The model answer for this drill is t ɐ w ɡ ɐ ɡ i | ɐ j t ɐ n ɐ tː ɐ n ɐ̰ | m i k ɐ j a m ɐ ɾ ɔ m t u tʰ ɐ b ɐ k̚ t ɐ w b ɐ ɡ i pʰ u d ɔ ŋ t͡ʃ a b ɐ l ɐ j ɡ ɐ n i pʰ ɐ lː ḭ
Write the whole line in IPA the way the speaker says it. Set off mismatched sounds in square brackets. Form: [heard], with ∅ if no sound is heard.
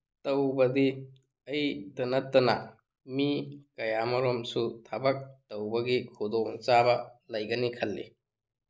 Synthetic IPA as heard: t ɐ w [b] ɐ [d] i | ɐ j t ɐ n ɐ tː ɐ n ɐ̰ | m i k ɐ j a m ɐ ɾ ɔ m [s] u tʰ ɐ b ɐ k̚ t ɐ w b ɐ ɡ i [kʰ] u d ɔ ŋ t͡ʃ a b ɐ l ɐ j ɡ ɐ n i [kʰ] ɐ lː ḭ